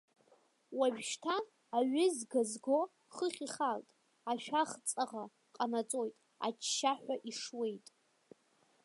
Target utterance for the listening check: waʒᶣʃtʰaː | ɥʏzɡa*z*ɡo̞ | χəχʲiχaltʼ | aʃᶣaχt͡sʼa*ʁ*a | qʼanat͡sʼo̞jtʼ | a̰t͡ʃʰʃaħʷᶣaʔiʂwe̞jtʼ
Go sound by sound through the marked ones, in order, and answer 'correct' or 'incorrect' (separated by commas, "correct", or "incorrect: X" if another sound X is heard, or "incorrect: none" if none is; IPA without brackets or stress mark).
correct, correct